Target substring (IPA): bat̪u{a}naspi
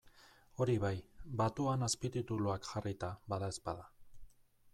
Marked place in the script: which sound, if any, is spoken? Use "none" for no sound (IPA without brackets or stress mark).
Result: a